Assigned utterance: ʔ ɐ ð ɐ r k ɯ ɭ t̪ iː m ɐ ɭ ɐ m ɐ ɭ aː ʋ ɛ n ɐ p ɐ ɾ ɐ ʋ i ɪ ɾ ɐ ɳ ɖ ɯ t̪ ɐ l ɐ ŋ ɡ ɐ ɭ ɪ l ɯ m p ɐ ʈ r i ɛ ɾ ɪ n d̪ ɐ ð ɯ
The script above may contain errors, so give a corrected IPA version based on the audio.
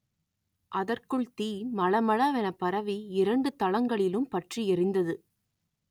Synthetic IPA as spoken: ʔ ɐ ð ɐ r k ɯ ɭ t̪ iː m ɐ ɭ ɐ m ɐ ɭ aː ʋ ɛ n ɐ p ɐ ɾ ɐ ʋ i ɪ ɾ ɐ ɳ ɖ ɯ t̪ ɐ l ɐ ŋ ɡ ɐ ɭ ɪ l ɯ m p ɐ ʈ r i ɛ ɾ ɪ n d̪ ɐ ð ɯ

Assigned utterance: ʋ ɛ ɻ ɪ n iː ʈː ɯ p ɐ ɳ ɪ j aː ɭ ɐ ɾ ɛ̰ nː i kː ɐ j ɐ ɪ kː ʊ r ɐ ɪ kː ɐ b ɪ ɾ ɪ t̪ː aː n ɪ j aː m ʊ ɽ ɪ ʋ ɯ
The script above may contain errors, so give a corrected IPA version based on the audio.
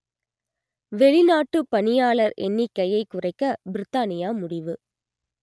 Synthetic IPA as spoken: ʋ ɛ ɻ ɪ n aː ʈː ɯ p ɐ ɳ ɪ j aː ɭ ɐ ɾ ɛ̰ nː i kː ɐ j ɐ ɪ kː ʊ r ɐ ɪ kː ɐ b ɪ ɾ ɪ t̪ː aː n ɪ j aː m ʊ ɽ ɪ ʋ ɯ

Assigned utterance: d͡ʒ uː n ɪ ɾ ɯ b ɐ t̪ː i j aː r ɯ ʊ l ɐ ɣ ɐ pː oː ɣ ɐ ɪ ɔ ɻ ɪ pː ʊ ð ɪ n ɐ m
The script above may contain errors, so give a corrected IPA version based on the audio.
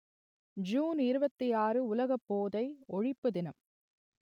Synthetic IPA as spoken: d͡ʒ uː n ɪ ɾ ɯ b ɐ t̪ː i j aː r ɯ ʊ l ɐ ɣ ɐ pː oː ð ɐ ɪ ɔ ɻ ɪ pː ɯ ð ɪ n ɐ m

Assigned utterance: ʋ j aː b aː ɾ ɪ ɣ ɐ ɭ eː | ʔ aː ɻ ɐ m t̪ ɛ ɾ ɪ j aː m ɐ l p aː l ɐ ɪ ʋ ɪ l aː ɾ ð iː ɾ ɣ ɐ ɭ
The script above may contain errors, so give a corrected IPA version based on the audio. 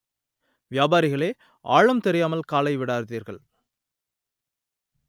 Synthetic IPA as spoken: ʋ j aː b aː ɾ ɪ ɣ ɐ ɭ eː | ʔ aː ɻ ɐ m t̪ ɛ ɾ ɪ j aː m ɐ l k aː l ɐ ɪ ʋ ɪ ɽ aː ɾ ð iː ɾ ɣ ɐ ɭ

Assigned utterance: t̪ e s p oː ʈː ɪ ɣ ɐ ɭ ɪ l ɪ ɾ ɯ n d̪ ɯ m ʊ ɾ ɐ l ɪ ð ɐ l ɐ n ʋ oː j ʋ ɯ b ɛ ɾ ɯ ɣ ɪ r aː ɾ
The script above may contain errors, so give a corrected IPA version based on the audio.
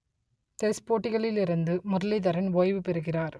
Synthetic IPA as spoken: t̪ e s p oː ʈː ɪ ɣ ɐ ɭ ɪ l ɪ ɾ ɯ n d̪ ɯ m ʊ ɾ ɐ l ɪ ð ɐ ɾ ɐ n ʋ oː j ʋ ɯ p ɛ ɾ ɯ ɣ ɪ r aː ɾ

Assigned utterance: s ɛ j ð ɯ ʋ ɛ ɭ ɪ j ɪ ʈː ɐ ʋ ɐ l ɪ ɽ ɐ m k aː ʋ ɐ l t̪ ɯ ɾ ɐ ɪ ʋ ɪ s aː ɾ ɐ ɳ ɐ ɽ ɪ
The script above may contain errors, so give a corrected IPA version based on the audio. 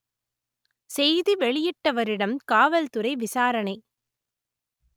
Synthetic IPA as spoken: s ɛ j ð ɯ ʋ ɛ ɭ ɪ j ɪ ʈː ɐ ʋ ɐ ɾ ɪ ɽ ɐ m k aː ʋ ɐ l t̪ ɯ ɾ ɐ ɪ ʋ ɪ s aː ɾ ɐ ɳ ɐ ɪ

